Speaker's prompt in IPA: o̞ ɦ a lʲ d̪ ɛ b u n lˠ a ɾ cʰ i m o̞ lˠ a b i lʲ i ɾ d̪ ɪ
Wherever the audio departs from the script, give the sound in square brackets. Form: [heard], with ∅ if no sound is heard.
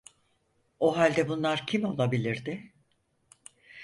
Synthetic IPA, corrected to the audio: o̞ ɦ a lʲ d̪ ɛ b u n lˠ a ɾ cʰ i m o̞ lˠ a b i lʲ i ɾ d̪ ɪ